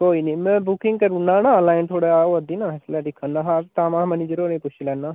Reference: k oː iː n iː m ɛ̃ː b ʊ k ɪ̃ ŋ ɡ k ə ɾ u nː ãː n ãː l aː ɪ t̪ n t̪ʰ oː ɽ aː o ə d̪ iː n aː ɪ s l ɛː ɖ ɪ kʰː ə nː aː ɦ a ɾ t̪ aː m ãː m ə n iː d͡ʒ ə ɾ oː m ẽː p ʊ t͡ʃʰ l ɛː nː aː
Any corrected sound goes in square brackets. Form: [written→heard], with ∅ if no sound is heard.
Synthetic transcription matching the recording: k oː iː n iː m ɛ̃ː b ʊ k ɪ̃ ŋ ɡ k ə ɾ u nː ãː n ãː l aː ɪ [t̪→∅] n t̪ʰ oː ɽ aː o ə d̪ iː n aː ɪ s l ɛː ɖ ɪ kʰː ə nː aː ɦ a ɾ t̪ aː m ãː m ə n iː d͡ʒ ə ɾ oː [m→n] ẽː p ʊ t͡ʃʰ l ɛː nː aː